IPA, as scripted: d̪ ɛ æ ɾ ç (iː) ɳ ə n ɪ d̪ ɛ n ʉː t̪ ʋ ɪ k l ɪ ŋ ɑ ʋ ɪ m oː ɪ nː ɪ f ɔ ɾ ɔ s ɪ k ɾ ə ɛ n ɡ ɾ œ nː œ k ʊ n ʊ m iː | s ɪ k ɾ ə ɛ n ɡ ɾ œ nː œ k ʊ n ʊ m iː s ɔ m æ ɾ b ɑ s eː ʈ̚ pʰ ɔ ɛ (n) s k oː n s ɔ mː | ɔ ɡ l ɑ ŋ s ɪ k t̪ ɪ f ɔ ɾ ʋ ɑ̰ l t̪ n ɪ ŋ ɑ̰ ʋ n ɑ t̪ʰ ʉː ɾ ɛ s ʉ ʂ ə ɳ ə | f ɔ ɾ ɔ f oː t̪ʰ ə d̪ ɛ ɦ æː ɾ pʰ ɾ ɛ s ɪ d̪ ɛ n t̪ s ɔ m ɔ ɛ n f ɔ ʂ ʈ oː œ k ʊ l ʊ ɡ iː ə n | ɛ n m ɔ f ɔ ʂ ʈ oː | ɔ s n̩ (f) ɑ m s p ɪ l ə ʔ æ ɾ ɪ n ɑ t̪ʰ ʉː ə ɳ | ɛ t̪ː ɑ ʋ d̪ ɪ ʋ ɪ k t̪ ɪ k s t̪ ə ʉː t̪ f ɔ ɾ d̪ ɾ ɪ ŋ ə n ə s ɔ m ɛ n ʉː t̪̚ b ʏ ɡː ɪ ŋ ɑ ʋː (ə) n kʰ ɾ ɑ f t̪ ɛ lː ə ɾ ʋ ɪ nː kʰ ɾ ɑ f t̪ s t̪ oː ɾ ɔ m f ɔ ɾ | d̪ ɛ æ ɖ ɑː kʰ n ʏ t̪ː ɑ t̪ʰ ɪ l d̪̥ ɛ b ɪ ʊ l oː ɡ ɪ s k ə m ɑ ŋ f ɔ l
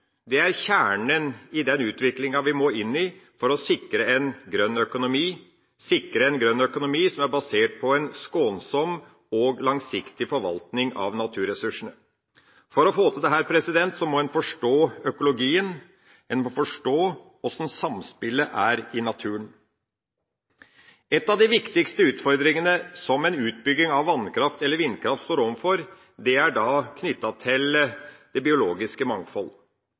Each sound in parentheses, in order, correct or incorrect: incorrect, correct, incorrect, incorrect

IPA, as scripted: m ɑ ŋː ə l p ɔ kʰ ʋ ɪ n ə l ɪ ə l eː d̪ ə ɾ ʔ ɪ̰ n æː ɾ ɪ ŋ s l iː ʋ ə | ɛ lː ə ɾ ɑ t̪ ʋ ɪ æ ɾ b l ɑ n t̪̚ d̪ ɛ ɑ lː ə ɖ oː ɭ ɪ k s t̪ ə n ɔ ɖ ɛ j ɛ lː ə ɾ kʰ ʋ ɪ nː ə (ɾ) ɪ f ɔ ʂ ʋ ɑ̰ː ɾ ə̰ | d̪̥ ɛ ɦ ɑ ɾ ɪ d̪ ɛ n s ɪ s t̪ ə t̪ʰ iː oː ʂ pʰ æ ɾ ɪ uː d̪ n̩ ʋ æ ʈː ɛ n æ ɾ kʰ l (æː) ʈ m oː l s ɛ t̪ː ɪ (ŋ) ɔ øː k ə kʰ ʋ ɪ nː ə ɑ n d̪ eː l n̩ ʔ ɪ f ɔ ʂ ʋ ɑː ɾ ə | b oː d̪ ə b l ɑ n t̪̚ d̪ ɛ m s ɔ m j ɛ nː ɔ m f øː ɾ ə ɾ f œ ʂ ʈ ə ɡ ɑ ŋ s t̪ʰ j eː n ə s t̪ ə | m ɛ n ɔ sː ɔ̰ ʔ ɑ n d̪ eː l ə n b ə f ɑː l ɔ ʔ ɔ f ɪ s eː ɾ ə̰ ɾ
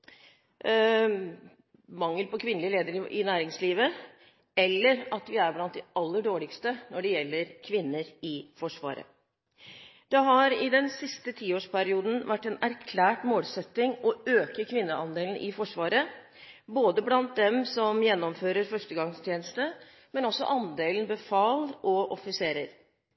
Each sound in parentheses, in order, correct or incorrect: correct, correct, correct

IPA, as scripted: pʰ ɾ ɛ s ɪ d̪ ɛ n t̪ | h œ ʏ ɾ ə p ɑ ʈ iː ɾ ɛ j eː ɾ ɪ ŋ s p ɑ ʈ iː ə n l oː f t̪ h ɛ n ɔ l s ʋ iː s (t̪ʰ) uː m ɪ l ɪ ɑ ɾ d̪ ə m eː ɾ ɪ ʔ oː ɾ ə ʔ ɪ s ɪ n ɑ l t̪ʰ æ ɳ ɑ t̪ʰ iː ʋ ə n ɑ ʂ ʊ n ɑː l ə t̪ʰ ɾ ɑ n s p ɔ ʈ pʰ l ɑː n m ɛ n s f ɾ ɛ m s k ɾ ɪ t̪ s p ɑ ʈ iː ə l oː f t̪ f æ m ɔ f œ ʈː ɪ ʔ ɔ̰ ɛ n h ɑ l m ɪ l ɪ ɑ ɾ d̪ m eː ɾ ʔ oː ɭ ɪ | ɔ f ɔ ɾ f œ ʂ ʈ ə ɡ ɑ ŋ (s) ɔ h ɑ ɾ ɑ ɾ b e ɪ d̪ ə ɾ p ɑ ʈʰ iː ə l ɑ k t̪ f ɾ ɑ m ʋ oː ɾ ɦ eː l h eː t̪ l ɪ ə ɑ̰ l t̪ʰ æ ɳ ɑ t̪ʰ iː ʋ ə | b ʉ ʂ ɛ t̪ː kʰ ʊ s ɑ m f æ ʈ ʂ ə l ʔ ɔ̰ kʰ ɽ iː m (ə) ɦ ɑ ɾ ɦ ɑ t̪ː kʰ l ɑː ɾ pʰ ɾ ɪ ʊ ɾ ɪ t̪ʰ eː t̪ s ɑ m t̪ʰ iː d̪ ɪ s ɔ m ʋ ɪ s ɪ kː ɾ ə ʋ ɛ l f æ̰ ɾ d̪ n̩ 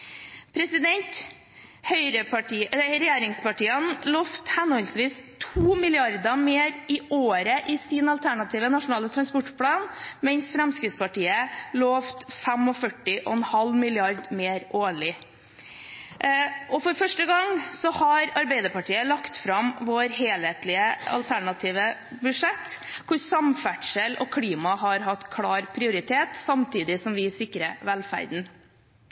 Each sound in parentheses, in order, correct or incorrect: correct, correct, incorrect

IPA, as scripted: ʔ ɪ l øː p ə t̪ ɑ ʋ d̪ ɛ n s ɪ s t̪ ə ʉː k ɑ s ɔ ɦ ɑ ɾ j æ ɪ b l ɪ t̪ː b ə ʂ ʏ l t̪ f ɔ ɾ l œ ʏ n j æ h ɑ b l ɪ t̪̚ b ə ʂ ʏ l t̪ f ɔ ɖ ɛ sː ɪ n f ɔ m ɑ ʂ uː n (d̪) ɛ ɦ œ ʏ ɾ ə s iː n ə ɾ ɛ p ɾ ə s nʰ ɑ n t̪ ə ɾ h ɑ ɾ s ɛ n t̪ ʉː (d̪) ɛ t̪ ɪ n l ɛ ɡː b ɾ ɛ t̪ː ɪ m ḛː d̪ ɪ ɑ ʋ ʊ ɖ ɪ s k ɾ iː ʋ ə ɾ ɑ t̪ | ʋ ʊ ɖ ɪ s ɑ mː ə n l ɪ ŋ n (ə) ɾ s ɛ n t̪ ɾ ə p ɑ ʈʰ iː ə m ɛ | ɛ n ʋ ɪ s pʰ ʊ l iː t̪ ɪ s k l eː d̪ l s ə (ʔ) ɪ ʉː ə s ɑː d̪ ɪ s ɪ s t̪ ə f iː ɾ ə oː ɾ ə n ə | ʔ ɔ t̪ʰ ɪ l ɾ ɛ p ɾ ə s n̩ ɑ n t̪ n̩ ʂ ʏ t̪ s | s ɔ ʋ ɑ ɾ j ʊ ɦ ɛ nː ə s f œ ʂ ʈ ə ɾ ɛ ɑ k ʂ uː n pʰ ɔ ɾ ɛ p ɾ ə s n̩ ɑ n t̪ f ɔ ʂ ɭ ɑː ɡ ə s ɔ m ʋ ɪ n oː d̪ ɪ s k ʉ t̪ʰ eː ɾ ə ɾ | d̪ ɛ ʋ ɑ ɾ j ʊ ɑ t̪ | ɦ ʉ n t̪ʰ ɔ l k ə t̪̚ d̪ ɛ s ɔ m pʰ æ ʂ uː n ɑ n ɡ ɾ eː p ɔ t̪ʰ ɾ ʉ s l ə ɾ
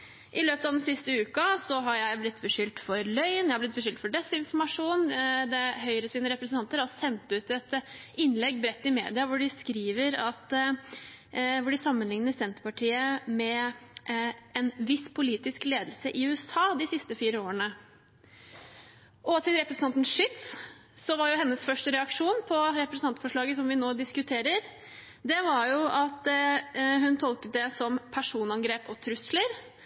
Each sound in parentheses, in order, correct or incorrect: correct, incorrect, correct, correct

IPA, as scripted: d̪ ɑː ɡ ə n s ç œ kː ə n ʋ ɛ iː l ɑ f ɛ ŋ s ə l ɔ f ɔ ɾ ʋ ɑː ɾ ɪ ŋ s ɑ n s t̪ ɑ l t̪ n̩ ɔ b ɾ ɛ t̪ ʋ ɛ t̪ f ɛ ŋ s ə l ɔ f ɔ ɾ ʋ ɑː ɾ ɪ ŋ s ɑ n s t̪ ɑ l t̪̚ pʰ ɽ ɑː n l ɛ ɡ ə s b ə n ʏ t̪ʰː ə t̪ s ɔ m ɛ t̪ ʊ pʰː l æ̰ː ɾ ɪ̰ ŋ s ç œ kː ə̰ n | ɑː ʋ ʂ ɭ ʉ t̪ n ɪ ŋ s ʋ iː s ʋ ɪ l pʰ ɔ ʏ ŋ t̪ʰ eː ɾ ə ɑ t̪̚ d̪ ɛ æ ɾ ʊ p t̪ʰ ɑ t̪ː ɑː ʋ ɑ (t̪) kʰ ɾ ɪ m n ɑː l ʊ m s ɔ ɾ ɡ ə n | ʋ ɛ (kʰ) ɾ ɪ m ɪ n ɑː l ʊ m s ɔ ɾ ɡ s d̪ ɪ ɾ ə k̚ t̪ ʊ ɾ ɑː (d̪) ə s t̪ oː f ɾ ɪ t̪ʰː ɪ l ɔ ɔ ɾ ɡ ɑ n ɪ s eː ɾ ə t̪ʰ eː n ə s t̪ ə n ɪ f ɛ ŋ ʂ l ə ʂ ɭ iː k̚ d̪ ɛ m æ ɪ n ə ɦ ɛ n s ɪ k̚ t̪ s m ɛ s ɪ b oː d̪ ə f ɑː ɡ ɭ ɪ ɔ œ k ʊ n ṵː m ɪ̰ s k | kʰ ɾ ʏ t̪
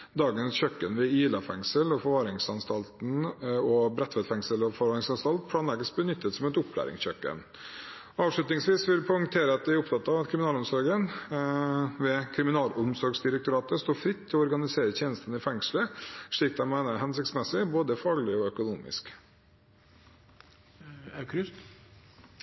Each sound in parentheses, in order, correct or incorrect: correct, correct, incorrect

